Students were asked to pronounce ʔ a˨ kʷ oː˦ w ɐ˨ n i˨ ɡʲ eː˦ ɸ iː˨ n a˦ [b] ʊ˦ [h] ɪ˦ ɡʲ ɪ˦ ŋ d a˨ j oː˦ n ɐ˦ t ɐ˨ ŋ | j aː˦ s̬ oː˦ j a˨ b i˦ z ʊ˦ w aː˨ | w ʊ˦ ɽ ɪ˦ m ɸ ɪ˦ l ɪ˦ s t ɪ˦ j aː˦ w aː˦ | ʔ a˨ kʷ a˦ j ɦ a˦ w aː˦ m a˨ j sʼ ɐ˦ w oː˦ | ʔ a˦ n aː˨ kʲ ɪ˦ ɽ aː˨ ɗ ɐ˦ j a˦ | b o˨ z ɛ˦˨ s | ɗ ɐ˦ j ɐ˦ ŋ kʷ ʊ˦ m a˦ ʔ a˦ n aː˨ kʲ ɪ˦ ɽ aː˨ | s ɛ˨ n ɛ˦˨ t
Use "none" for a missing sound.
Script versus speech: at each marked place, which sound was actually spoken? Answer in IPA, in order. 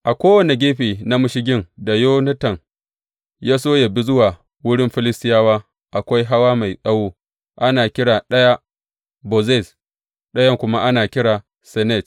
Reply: m, ʃ

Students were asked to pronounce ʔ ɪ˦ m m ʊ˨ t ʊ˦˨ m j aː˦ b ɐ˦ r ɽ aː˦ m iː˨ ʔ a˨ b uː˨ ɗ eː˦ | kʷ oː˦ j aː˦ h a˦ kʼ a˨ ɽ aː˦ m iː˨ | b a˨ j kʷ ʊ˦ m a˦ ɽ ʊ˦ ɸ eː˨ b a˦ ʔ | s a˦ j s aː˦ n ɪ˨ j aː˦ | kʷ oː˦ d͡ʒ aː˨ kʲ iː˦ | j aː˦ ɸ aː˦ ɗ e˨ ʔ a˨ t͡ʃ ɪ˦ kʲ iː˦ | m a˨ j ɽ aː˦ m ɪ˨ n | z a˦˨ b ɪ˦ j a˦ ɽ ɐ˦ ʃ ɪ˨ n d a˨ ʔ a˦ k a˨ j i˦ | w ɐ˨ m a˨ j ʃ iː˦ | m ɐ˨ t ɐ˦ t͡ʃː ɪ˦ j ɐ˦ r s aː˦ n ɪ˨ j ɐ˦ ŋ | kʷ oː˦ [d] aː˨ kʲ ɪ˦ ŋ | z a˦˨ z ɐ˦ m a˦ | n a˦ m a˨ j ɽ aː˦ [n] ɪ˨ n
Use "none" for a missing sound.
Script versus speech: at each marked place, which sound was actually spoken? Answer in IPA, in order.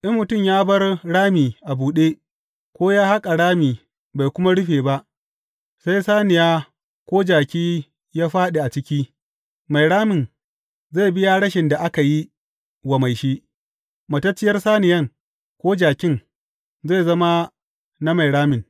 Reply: d͡ʒ, m

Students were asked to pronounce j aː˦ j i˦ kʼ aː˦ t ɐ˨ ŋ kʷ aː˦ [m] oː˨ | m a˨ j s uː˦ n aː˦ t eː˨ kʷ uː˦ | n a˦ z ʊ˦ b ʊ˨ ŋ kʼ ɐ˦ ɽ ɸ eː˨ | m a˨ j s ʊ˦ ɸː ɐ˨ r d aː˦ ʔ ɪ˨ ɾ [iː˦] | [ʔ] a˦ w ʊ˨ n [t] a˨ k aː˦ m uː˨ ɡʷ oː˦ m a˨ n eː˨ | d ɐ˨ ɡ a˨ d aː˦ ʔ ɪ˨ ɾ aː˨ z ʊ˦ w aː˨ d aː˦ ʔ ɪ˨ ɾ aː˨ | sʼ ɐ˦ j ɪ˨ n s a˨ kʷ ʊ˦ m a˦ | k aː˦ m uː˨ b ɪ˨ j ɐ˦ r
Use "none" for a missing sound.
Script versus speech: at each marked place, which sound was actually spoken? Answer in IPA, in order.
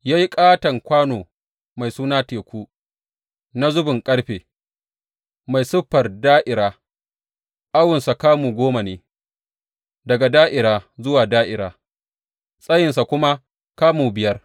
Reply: n, aː˦, ʔ, s

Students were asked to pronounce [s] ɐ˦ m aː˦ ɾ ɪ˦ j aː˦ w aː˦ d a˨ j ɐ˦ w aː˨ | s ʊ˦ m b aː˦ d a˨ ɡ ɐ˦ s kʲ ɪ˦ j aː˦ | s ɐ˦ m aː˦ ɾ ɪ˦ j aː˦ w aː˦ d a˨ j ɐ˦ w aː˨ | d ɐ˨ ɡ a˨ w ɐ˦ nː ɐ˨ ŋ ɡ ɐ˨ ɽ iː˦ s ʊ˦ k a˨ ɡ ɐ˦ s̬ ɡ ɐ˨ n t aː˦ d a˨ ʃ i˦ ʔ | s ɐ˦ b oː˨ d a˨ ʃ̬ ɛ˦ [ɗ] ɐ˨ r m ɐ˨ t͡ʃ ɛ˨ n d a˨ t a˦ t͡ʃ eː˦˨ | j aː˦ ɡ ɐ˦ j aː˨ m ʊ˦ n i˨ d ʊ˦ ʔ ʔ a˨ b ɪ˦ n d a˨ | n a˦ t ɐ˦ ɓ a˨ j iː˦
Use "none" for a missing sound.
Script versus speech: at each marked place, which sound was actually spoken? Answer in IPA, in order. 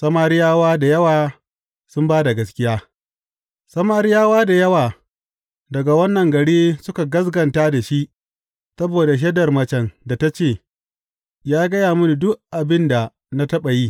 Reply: s, d

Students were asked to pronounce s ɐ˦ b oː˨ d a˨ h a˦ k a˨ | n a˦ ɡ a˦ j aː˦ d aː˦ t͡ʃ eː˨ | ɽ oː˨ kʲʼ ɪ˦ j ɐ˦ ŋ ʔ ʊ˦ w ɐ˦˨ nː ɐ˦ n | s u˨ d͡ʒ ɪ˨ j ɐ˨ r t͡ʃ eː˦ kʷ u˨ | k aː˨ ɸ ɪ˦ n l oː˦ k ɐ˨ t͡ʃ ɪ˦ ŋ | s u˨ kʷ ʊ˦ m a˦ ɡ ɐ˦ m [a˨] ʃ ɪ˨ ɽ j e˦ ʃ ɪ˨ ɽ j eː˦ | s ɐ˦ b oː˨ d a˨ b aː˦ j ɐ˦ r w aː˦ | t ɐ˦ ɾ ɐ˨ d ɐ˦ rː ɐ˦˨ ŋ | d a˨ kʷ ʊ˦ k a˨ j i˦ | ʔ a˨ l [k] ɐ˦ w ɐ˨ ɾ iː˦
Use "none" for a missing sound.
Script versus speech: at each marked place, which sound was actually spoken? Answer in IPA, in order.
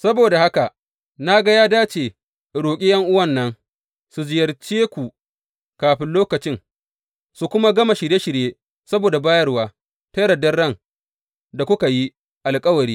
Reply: a˨, kʼ

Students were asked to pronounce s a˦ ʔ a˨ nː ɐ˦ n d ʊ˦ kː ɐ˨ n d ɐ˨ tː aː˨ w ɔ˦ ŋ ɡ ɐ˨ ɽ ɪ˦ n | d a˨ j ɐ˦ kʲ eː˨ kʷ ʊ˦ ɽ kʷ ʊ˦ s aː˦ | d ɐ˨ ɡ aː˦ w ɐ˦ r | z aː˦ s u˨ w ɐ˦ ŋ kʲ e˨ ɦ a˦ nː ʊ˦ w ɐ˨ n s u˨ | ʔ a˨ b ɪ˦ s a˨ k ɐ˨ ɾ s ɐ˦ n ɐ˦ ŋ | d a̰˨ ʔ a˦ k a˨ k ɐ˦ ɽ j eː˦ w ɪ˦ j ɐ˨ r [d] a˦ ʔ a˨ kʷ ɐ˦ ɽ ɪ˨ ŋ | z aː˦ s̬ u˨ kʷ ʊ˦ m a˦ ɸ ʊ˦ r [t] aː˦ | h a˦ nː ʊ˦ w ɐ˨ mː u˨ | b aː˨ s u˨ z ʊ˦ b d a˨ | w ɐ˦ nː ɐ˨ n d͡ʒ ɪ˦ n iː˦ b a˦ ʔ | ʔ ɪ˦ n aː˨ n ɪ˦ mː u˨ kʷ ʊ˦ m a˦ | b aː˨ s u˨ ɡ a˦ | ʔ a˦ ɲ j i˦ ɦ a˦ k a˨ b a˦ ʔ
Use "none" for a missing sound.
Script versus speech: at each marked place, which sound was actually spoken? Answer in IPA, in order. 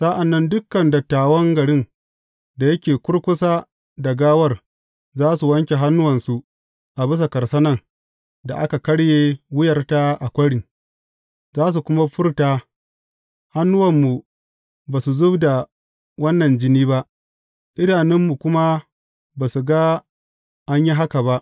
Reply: t, t

